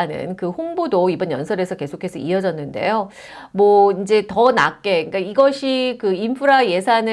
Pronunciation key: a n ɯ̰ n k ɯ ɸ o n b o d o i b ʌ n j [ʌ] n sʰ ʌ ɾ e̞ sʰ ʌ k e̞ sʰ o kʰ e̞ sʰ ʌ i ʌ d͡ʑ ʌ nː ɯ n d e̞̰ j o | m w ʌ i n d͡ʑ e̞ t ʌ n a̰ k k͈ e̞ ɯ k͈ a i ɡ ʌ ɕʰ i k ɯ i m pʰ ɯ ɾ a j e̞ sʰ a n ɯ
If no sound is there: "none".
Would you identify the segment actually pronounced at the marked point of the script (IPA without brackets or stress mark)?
ʌ